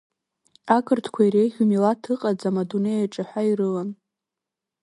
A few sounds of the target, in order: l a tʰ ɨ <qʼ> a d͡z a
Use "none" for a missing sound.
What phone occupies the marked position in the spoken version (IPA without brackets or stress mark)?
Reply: qʼ